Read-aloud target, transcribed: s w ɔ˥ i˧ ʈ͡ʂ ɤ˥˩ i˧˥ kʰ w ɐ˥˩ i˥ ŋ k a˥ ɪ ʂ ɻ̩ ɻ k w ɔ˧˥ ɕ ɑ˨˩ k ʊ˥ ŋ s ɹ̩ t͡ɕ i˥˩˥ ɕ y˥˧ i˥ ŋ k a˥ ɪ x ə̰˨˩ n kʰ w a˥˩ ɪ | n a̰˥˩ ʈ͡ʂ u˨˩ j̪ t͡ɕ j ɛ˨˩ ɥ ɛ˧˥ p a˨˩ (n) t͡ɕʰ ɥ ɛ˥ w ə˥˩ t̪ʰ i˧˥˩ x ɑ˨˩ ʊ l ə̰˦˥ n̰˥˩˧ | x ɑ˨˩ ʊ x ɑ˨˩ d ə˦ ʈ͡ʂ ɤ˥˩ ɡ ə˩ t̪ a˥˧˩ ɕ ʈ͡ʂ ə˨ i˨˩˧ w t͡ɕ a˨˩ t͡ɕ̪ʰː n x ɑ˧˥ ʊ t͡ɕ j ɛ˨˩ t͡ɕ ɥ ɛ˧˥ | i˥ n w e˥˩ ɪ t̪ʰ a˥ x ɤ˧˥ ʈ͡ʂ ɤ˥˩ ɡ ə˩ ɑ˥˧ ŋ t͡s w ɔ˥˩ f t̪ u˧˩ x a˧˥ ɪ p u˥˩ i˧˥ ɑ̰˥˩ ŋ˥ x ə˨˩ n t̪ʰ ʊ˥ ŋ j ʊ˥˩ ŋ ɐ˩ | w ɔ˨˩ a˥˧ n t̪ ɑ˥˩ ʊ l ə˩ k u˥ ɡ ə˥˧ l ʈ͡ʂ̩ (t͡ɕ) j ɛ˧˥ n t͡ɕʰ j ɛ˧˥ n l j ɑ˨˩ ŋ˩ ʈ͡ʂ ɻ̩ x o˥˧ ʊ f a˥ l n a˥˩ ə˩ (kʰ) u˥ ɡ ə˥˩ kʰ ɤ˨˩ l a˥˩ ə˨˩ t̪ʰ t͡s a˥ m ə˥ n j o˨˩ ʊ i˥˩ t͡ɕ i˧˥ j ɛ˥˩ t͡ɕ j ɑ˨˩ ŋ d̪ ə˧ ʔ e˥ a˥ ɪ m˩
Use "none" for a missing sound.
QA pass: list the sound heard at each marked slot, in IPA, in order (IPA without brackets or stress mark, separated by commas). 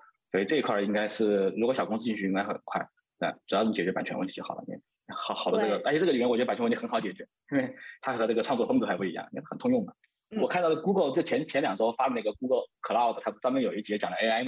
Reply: n, t͡ɕʰ, k